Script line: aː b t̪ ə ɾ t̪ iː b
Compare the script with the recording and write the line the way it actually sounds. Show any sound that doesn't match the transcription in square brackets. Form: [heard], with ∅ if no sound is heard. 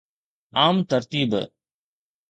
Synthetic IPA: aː [m] t̪ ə ɾ t̪ iː b